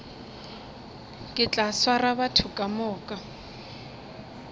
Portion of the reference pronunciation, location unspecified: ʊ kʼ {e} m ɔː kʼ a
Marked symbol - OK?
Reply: no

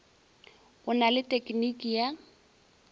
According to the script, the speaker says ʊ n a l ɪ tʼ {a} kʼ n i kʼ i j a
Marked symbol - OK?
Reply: no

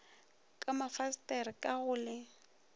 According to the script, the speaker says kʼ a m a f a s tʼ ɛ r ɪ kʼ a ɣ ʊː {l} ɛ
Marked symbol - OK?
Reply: yes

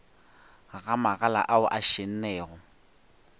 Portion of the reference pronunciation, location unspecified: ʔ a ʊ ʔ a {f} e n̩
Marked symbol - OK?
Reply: no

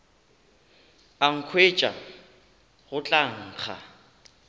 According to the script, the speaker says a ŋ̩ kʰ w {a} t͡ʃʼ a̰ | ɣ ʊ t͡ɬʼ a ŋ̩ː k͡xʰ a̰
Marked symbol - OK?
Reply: no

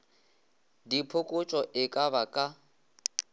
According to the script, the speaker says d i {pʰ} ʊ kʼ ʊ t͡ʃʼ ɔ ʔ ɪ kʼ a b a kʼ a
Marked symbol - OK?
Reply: yes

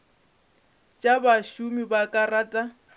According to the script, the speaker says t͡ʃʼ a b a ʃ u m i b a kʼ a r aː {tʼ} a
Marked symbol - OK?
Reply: yes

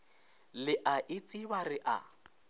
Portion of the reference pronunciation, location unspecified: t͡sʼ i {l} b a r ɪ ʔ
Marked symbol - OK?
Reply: no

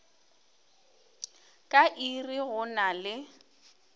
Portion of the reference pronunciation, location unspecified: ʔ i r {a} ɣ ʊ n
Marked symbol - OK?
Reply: no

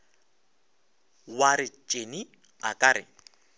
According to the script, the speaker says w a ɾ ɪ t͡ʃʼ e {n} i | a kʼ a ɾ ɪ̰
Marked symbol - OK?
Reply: yes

